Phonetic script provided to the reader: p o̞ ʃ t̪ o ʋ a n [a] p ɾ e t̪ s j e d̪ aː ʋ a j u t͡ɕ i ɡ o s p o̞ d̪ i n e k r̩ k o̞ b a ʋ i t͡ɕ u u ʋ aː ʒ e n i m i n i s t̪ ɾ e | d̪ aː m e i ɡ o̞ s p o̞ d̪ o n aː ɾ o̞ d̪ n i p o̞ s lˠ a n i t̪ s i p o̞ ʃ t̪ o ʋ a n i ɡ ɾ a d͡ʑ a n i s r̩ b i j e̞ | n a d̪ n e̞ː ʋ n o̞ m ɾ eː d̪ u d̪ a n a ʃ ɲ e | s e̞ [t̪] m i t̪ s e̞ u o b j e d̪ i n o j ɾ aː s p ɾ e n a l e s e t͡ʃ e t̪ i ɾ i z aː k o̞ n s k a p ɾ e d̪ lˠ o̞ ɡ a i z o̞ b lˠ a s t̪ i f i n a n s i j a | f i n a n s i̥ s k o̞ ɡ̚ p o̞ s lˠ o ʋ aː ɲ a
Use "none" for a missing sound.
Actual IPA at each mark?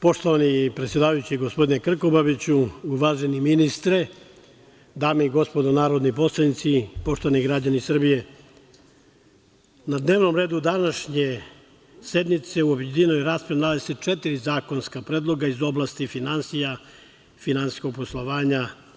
i, d̪

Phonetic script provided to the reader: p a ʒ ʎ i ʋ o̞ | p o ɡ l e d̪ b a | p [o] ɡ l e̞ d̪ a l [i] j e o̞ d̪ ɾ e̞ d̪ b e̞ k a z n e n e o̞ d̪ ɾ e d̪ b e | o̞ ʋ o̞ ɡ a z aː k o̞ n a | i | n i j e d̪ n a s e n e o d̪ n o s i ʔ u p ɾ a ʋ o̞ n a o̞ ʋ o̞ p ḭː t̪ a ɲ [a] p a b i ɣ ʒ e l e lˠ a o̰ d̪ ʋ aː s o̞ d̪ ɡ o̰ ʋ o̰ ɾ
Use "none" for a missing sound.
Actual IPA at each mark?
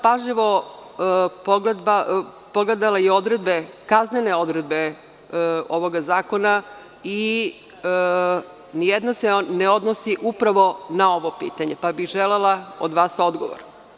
o, a, e

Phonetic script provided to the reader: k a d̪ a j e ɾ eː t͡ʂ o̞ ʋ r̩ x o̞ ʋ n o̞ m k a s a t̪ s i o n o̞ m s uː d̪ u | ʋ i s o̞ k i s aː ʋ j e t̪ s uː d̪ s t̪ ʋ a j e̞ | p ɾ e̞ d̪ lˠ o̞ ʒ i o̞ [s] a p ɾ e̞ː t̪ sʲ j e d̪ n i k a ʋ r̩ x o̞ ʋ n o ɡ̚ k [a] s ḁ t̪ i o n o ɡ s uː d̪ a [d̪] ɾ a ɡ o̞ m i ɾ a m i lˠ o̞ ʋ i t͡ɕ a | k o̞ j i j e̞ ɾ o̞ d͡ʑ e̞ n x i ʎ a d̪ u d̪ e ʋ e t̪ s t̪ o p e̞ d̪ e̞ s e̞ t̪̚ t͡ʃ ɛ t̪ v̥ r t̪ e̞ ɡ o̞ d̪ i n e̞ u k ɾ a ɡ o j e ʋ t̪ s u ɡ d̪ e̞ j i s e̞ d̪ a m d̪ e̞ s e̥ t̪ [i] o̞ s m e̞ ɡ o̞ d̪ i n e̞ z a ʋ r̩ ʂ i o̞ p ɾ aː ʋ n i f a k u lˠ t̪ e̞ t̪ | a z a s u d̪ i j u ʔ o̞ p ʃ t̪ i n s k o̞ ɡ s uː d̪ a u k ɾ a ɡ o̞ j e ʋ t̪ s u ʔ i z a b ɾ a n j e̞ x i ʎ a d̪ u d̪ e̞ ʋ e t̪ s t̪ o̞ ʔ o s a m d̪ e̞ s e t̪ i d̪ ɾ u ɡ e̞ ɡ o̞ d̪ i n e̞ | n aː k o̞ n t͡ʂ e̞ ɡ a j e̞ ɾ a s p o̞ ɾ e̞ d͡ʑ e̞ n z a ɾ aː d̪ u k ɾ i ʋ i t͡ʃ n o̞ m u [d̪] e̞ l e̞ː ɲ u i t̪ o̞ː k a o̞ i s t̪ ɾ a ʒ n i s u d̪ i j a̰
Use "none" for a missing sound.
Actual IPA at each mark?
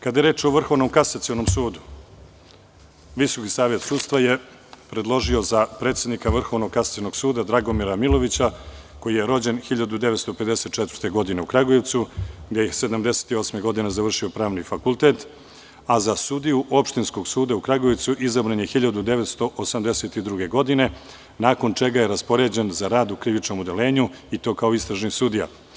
z, a, d̪, i, d̪

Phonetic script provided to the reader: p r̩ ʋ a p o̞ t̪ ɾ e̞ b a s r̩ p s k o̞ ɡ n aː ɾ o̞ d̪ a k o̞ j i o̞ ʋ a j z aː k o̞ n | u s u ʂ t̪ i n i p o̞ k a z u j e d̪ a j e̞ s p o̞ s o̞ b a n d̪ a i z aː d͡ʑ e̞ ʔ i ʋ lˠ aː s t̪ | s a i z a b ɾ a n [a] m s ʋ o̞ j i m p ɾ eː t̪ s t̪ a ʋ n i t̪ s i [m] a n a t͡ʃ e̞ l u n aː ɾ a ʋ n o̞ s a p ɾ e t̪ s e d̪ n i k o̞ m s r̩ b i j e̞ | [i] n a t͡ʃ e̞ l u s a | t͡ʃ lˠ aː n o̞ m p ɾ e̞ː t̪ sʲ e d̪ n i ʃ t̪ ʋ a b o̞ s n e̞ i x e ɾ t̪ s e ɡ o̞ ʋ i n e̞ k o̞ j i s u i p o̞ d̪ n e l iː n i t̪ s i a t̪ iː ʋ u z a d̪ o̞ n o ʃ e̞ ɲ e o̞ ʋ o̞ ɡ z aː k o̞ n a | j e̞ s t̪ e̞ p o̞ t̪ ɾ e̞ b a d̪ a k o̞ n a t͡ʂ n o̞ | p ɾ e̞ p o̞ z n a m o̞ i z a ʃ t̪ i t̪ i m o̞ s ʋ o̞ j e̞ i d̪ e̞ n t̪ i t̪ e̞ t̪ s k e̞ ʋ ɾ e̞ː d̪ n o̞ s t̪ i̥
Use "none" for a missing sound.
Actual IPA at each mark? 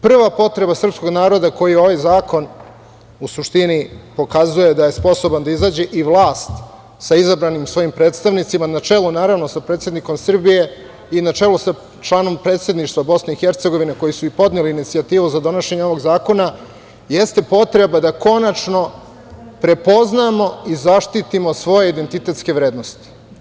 i, m, i

